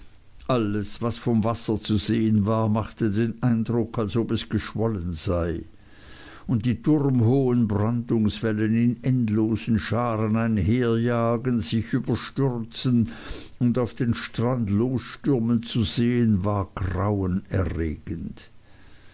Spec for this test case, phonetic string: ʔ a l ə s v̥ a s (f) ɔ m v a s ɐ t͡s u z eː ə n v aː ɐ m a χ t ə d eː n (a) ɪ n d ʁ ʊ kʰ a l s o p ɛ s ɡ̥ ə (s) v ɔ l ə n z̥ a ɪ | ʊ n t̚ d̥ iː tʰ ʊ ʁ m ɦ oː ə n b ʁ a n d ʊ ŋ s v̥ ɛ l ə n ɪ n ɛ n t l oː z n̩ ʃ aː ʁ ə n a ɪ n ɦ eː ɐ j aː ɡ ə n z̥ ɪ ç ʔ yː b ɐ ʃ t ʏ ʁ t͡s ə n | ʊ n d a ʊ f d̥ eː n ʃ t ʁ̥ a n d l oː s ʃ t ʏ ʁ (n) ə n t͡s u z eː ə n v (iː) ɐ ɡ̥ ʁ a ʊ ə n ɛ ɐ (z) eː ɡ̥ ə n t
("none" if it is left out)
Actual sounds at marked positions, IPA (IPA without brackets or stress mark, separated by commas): f, a, ʃ, m, aː, ʁ